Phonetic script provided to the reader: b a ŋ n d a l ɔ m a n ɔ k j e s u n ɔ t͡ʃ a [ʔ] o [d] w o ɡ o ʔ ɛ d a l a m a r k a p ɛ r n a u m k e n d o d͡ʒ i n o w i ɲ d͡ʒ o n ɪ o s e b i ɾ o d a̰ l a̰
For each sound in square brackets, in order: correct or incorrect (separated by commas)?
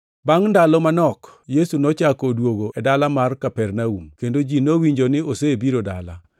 incorrect, correct